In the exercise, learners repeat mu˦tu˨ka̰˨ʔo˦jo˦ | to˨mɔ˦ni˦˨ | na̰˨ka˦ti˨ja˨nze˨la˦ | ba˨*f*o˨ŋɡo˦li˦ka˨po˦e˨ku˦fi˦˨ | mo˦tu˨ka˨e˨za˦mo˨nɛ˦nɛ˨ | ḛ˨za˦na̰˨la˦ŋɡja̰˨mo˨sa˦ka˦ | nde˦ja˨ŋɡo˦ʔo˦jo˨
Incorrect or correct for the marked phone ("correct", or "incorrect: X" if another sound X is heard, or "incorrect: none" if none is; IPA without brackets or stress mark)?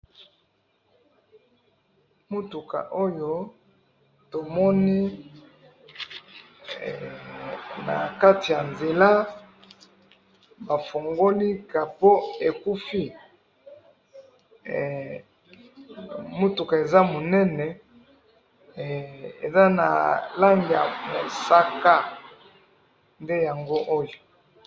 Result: correct